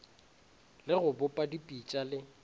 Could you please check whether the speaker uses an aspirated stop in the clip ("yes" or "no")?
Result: no